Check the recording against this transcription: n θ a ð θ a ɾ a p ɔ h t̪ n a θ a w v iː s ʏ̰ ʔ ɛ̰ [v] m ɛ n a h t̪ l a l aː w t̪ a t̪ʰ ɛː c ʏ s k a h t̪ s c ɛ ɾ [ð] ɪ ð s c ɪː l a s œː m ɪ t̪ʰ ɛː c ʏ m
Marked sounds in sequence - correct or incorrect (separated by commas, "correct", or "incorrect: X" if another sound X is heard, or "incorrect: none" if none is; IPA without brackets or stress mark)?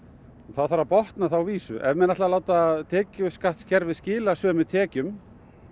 correct, incorrect: v